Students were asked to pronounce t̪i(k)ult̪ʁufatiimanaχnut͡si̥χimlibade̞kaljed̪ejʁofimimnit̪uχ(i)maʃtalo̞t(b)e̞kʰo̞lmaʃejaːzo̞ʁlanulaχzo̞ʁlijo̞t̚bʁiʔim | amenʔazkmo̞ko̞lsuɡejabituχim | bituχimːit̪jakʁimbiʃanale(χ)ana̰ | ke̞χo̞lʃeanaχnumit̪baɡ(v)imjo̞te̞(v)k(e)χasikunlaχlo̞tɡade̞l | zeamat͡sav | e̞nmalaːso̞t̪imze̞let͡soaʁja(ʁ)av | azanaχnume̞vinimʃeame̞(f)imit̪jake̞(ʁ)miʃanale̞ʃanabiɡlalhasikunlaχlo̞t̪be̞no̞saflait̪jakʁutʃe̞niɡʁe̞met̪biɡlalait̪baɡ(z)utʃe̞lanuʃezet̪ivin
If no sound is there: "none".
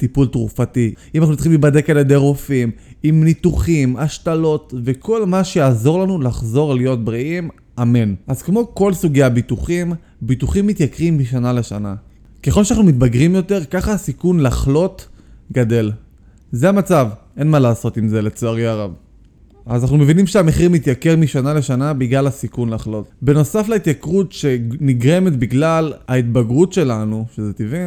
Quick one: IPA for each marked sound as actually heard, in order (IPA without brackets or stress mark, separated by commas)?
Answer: p, i, v, ʃ, ʁ, ʁ, a, ʁ, χ, ʁ, ʁ